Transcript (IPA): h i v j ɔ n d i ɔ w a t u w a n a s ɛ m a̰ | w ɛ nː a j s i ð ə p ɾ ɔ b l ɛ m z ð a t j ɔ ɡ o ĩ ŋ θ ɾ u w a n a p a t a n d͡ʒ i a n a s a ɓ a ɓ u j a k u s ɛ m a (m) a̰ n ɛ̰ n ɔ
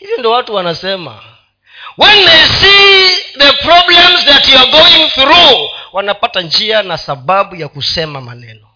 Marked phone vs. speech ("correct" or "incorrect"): correct